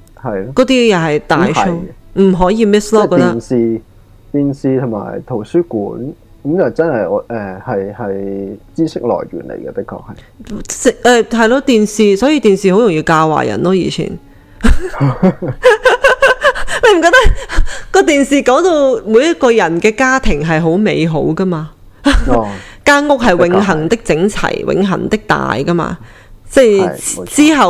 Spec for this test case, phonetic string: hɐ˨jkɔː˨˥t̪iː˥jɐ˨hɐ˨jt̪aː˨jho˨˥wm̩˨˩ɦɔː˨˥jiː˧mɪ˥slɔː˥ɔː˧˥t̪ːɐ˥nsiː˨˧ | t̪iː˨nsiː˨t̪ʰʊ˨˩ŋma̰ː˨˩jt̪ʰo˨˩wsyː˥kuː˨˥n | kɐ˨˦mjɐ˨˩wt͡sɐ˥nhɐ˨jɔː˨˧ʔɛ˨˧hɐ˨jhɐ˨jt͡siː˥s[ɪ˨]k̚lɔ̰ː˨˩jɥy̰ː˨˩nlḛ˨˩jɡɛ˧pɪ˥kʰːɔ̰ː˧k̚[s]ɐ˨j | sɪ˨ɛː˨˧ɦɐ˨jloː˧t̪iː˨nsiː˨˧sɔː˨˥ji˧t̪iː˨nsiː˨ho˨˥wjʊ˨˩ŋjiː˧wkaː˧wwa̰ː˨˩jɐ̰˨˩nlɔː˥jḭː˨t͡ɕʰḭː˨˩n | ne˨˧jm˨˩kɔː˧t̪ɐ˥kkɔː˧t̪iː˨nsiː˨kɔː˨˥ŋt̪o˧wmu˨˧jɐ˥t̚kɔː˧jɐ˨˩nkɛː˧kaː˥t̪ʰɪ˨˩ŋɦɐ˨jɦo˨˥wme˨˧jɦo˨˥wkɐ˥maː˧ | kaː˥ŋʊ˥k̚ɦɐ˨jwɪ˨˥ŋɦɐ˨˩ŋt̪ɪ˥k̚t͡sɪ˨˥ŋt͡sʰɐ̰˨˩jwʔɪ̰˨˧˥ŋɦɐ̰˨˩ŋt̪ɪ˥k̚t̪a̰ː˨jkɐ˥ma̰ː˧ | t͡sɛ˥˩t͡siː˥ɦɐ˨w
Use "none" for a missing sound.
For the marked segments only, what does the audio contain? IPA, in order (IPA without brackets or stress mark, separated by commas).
ɪ˥, h